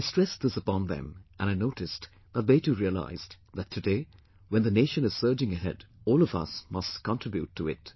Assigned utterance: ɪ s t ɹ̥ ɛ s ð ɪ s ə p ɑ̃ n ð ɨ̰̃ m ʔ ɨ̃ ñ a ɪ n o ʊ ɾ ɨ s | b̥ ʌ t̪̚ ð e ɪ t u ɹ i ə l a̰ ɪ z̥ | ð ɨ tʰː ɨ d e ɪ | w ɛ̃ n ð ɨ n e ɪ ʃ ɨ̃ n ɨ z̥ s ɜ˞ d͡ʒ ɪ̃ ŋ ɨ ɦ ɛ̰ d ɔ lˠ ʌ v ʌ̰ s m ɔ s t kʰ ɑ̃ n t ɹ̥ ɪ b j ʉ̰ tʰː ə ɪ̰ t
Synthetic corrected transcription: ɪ s t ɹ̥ ɛ s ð ɪ s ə p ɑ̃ n ð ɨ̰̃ m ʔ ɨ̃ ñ a ɪ n o ʊ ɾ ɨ s | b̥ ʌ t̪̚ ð e ɪ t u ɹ i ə l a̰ ɪ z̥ | ð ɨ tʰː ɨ d e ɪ | w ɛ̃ n ð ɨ n e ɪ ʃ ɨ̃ n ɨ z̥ s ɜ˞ d͡ʒ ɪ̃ ŋ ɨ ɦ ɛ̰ d ɔ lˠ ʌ v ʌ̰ s m ʌ s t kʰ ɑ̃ n t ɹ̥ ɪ b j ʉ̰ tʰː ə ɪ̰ t